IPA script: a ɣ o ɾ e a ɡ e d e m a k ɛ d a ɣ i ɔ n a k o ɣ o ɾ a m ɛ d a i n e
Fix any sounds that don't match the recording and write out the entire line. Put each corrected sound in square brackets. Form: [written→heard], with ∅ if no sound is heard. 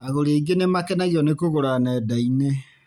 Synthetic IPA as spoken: a ɣ o ɾ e [a→i] ɡ e [d→n] e m a k ɛ [d→n] a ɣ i ɔ n [a→e] k o ɣ o ɾ a [m→n] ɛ d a i n e